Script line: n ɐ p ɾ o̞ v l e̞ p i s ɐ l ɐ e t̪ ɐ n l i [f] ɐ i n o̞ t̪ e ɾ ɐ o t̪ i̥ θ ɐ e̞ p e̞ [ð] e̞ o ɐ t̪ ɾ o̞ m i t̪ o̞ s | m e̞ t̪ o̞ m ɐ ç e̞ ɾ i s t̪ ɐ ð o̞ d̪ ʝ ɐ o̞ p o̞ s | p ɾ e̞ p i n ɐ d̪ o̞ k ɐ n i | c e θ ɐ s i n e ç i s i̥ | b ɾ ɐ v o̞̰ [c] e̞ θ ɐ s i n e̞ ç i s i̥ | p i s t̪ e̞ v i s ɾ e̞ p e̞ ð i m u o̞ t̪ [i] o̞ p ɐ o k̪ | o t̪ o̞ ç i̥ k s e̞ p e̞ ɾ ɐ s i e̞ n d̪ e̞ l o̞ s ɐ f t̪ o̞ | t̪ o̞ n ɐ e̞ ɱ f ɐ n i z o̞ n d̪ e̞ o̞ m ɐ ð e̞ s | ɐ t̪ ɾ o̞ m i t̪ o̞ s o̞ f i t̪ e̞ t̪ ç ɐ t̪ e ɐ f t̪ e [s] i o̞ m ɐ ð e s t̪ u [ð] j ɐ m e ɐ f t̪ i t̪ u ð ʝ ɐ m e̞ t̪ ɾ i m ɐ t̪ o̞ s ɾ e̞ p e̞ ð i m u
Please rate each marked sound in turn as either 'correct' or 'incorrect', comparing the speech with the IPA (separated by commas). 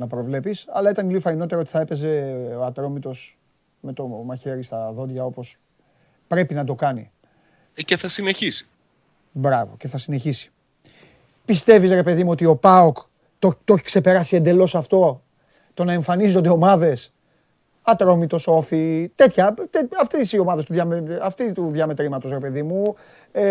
correct, incorrect, correct, correct, correct, correct